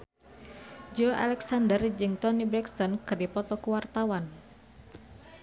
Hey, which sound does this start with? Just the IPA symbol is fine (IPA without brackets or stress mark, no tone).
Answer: d͡ʒ